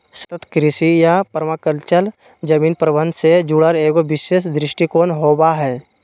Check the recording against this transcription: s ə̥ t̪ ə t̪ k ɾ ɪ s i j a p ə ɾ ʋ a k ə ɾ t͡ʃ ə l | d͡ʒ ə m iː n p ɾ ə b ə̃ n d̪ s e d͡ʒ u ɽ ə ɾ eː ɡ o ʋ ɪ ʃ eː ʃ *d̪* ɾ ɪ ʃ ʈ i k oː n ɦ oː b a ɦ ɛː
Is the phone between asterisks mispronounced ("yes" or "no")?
no